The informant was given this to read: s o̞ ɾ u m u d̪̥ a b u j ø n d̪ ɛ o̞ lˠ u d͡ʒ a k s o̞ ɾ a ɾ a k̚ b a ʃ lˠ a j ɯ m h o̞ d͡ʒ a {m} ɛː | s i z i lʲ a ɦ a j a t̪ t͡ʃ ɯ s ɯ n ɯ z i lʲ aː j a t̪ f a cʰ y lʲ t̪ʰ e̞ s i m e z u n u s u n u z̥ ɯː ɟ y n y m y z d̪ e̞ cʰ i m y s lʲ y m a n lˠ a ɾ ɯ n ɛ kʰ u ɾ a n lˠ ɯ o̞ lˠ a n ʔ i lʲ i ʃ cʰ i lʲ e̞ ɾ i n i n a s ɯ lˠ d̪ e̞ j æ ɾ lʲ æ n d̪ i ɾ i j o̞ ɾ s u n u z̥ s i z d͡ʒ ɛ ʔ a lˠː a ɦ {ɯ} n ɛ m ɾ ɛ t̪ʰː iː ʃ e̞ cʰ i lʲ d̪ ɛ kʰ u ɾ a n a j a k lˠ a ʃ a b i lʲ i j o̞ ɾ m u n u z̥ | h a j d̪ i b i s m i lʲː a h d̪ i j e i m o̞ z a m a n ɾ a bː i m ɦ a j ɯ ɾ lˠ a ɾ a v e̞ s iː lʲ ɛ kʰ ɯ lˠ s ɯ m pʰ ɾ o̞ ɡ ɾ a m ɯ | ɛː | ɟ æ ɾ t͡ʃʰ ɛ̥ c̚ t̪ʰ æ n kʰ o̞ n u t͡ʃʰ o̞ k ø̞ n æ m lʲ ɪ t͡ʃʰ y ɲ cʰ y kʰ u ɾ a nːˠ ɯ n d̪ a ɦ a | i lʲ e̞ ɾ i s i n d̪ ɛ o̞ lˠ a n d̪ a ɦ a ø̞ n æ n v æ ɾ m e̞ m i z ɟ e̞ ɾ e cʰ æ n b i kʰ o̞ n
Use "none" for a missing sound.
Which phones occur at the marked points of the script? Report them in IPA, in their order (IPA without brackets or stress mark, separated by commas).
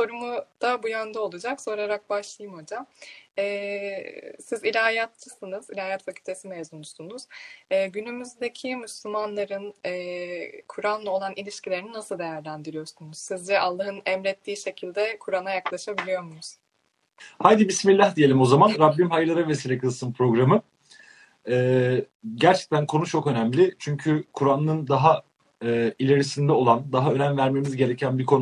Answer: m, ɯ